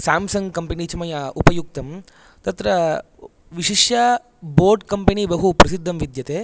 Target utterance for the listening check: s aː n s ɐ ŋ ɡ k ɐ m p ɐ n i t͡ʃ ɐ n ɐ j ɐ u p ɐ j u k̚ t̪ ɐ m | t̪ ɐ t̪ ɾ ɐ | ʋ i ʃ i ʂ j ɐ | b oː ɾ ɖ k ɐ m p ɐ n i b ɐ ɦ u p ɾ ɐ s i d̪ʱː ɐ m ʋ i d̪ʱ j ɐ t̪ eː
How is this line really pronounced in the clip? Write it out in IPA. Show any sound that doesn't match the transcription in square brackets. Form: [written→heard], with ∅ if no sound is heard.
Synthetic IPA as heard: s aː [n→m] s ɐ ŋ ɡ k ɐ m p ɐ n i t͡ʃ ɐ [n→m] ɐ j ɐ u p ɐ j u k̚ t̪ ɐ m | t̪ ɐ t̪ ɾ ɐ | ʋ i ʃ i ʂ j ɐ | b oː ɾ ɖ k ɐ m p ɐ n i b ɐ ɦ u p ɾ ɐ s i d̪ʱː ɐ m ʋ i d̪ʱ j ɐ t̪ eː